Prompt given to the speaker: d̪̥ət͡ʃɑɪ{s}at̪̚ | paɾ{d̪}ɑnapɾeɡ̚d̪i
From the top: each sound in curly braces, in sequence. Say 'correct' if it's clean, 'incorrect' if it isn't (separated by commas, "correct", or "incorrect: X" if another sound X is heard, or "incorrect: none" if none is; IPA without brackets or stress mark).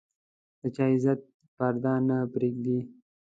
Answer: incorrect: z, correct